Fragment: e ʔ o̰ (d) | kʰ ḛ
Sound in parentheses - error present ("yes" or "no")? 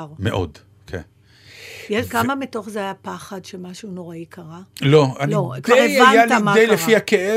no